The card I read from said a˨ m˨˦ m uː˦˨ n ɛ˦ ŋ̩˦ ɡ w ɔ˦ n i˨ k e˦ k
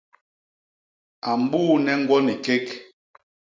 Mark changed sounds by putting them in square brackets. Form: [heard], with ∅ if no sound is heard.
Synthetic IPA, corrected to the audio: a˨ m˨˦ [b] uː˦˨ n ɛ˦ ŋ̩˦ ɡ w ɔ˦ n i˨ k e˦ k